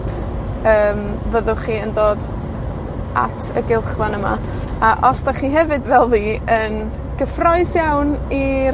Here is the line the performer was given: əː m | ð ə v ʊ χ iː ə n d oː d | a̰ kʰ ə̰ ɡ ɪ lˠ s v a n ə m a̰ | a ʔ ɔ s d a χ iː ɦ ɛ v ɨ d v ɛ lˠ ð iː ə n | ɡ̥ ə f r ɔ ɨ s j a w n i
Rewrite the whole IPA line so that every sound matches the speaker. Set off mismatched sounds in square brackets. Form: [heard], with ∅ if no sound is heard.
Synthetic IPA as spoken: əː m | [v] ə [ð] ʊ χ iː ə n d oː d | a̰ [tʰ] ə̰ ɡ ɪ lˠ [χ] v a n ə m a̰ | a ʔ ɔ s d a χ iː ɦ ɛ v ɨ d v ɛ lˠ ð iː ə n | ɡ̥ ə f r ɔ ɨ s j a w n i